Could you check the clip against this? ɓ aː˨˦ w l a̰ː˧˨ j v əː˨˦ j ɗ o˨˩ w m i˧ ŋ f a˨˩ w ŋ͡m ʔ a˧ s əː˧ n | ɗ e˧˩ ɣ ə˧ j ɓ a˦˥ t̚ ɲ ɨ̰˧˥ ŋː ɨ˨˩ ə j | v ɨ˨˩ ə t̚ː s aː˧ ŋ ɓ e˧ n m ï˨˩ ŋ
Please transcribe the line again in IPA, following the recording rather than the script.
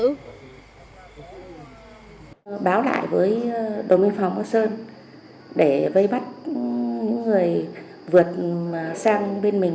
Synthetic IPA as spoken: ɓ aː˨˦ w l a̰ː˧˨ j v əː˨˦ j ɗ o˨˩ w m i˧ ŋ f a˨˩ w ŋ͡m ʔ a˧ s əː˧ n | ɗ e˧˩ v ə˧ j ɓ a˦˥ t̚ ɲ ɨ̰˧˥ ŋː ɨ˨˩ ə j | v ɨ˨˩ ə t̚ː s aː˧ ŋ ɓ e˧ n m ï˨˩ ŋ

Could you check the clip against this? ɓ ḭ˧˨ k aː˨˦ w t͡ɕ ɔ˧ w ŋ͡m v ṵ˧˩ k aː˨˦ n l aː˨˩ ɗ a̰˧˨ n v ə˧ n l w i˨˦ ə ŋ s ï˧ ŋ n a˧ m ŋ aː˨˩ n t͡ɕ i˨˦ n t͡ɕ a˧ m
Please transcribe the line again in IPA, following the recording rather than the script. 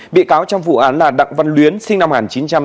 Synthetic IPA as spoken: ɓ ḭ˧˨ k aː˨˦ w t͡ɕ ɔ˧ w ŋ͡m v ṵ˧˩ ʔ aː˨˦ n l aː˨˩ ɗ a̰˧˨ ŋ v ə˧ n l w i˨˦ ə n s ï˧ ŋ n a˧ m ŋ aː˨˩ n t͡ɕ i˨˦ n t͡ɕ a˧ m

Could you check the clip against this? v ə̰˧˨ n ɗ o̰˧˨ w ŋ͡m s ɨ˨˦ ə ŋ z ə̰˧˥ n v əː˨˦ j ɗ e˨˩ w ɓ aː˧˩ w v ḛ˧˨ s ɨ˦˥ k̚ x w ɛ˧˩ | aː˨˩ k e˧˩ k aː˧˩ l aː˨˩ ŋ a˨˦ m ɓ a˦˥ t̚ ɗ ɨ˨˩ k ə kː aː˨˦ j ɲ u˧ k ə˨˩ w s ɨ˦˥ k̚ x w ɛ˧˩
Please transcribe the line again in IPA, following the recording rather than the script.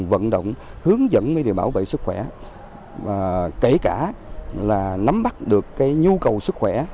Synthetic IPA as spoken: v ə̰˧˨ n ɗ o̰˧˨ w ŋ͡m h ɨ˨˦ ə ŋ z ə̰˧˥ n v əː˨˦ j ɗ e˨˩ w ɓ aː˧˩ w v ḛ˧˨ s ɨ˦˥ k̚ x w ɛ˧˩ | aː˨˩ k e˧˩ k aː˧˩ l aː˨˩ n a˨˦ m ɓ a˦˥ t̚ ɗ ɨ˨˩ ə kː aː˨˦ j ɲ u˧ k ə˨˩ w s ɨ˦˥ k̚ x w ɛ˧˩

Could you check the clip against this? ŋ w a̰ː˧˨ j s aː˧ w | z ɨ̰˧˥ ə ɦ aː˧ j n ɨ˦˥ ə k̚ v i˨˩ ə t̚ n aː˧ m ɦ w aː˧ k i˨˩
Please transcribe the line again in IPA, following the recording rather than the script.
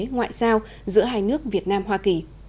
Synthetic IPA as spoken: ŋ w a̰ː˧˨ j s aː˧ w | z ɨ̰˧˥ ə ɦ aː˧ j n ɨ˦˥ ə k̚ v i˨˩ ə t̚ n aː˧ m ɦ w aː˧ k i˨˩

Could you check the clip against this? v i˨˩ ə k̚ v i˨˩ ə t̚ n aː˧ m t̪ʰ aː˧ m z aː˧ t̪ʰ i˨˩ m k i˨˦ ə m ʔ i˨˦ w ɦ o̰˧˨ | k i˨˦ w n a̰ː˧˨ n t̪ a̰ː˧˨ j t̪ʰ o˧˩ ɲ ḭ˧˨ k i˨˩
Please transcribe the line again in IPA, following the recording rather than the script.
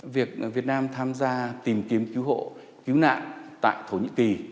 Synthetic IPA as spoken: v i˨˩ ə k̚ v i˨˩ ə t̚ n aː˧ m t̪ʰ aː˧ m z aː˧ t̪ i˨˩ m k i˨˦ ə m k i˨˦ w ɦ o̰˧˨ | k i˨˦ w n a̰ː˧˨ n t̪ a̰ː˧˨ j t̪ʰ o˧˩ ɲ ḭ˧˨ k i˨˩

